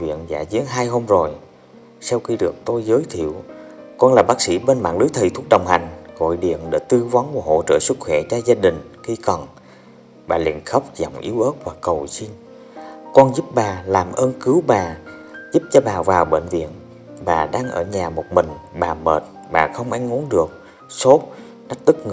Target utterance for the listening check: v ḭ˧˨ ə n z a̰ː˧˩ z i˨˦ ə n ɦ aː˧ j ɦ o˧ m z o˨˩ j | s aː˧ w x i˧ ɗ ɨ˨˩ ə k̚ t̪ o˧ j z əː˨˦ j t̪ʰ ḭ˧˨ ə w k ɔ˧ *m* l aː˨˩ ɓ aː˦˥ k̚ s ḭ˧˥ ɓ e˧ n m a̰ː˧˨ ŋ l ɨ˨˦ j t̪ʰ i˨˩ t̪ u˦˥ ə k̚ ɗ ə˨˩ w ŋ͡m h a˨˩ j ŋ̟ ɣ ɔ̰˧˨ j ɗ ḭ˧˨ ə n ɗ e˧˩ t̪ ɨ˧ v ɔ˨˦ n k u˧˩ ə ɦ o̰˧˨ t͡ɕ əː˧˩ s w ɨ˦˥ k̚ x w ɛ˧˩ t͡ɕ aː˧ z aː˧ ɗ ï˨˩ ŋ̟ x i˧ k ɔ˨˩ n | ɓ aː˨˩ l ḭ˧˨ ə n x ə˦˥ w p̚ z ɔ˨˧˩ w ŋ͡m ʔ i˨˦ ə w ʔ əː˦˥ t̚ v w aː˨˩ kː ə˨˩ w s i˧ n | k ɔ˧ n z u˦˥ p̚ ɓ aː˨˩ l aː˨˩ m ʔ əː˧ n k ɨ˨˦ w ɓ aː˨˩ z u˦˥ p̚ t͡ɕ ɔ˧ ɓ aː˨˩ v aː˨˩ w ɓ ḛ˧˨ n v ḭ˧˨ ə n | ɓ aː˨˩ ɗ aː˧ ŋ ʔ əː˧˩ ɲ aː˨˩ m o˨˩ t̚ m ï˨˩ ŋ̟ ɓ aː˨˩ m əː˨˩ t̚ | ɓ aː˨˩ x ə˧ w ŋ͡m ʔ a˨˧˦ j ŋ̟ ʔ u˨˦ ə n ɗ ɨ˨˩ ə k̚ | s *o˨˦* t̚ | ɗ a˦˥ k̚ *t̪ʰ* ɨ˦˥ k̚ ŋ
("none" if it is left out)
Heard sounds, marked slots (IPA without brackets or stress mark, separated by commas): n, o˦˥, t̪